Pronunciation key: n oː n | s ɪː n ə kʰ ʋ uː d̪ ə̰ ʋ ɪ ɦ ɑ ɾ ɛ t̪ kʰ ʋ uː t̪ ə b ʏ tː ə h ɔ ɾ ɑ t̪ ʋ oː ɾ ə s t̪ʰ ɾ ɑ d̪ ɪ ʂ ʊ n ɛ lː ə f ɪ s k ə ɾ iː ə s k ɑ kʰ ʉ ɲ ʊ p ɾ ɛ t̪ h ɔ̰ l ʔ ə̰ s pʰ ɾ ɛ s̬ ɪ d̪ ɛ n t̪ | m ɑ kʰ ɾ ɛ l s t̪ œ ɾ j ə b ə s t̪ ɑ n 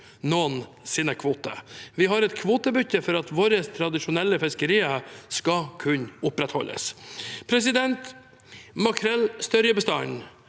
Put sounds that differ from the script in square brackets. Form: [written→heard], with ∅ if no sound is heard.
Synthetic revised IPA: n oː n | s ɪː n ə kʰ ʋ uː [d̪→t̪] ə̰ ʋ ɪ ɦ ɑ ɾ ɛ t̪ kʰ ʋ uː t̪ ə b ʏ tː ə [h→f] ɔ ɾ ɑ t̪ ʋ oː ɾ ə s t̪ʰ ɾ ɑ d̪ ɪ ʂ ʊ n ɛ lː ə f ɪ s k ə ɾ iː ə s k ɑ kʰ ʉ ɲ ʊ p ɾ ɛ t̪ h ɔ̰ l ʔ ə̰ s pʰ ɾ ɛ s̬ ɪ d̪ ɛ n t̪ | m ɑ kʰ ɾ ɛ l s t̪ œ ɾ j ə b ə s t̪ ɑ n